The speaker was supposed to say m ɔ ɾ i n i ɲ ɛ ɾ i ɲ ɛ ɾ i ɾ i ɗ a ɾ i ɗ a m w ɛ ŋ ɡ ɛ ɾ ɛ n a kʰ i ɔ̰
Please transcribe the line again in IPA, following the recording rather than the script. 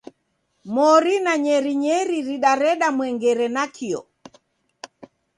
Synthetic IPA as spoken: m ɔ ɾ i n a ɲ ɛ ɾ i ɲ ɛ ɾ i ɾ i ɗ a ɾ ɛ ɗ a m w ɛ ŋ ɡ ɛ ɾ ɛ n a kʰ i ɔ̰